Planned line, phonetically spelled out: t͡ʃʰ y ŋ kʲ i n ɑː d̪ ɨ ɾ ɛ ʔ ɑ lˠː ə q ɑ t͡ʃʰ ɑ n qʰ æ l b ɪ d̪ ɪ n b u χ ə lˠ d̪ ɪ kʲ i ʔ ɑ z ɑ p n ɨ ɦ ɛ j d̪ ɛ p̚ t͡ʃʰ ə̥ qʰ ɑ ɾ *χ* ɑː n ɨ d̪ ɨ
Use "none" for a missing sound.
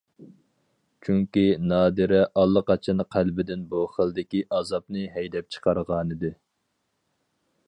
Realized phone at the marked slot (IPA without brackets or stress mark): ʁ